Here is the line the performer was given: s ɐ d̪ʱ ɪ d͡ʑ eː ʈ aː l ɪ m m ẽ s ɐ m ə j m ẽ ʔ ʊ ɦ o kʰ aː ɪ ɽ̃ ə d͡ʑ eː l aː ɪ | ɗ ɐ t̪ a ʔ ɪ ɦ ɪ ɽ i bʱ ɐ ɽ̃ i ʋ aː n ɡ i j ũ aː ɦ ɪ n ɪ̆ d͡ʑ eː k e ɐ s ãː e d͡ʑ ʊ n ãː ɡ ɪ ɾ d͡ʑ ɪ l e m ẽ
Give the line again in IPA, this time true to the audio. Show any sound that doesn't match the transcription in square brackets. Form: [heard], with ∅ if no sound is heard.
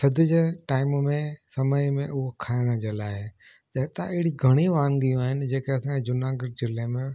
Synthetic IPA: s ɐ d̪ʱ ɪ d͡ʑ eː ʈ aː [∅] ɪ m m ẽ s ɐ m ə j m ẽ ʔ ʊ ɦ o kʰ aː ɪ ɽ̃ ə d͡ʑ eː l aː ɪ | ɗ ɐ t̪ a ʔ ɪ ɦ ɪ ɽ i [ɡʱ] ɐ ɽ̃ i ʋ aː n ɡ i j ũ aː ɦ ɪ n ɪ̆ d͡ʑ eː k e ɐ s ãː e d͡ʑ ʊ n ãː ɡ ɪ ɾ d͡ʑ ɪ l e m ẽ

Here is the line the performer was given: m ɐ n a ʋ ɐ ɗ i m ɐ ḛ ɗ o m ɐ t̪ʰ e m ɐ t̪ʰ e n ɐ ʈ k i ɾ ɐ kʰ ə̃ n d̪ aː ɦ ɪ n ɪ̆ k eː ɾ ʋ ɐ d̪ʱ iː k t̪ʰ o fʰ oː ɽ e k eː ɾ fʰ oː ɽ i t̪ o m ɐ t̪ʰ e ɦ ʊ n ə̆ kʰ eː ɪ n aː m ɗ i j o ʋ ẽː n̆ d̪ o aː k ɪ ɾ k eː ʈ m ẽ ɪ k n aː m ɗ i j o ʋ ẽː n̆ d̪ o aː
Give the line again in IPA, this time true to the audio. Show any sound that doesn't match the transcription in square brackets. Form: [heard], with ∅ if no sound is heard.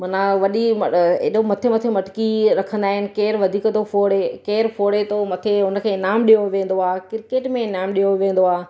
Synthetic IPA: m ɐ n a ʋ ɐ ɗ i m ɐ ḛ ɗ o m ɐ t̪ʰ e m ɐ t̪ʰ e [m] ɐ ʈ k i ɾ ɐ kʰ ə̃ n d̪ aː ɦ ɪ n ɪ̆ k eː ɾ ʋ ɐ d̪ʱ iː k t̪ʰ o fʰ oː ɽ e k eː ɾ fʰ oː ɽ [e] t̪ o m ɐ t̪ʰ e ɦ ʊ n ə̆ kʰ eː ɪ n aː m ɗ i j o ʋ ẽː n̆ d̪ o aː k ɪ ɾ k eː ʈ m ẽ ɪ [∅] n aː m ɗ i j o ʋ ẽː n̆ d̪ o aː

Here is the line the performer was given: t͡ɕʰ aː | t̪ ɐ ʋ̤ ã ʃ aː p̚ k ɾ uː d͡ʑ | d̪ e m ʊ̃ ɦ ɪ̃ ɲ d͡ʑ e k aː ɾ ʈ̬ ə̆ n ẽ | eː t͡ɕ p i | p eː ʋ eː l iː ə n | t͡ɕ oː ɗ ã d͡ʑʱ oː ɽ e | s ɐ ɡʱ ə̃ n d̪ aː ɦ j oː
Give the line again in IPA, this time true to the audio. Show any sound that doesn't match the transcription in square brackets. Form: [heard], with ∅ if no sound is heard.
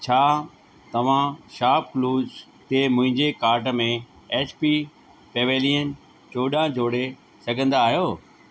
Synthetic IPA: t͡ɕʰ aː | t̪ ɐ ʋ̤ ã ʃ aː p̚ k [l] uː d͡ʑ | [t̪] e m ʊ̃ ɦ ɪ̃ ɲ d͡ʑ e k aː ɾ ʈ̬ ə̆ [m] ẽ | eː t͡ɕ p i | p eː ʋ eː l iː ə n | t͡ɕ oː ɗ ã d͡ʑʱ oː ɽ e | s ɐ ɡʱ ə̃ n d̪ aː ɦ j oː

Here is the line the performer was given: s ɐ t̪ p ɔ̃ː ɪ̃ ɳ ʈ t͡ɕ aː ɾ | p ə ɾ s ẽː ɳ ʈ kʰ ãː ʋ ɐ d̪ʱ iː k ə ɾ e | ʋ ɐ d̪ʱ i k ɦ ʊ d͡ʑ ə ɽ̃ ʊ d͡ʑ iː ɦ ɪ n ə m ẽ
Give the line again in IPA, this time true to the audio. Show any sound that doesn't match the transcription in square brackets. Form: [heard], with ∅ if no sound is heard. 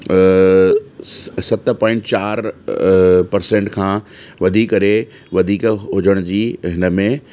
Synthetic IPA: s ɐ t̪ p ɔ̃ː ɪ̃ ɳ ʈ t͡ɕ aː ɾ | p [ɐ] ɾ s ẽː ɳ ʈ kʰ ãː ʋ ɐ d̪ʱ iː k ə ɾ e | ʋ ɐ d̪ʱ [iː] k ɦ ʊ d͡ʑ ə ɽ̃ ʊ d͡ʑ iː ɦ ɪ n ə m ẽ

